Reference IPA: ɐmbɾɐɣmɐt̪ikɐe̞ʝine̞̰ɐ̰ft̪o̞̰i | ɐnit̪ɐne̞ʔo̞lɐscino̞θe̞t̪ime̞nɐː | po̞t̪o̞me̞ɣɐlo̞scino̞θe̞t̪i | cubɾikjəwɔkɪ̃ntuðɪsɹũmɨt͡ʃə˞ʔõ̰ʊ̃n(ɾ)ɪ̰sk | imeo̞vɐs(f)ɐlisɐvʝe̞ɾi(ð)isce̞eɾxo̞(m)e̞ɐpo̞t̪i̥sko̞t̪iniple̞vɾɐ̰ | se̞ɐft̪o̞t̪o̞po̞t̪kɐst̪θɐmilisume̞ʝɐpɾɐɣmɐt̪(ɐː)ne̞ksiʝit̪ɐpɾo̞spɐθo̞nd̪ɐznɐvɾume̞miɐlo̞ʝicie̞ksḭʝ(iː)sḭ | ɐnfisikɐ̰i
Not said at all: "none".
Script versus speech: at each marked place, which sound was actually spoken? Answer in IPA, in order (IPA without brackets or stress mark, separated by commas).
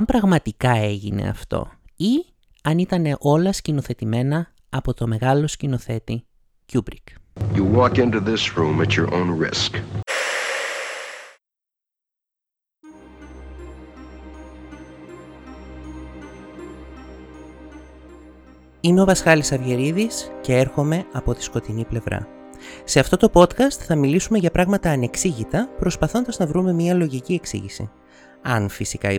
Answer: ɹ, x, ð, m, ɐː, i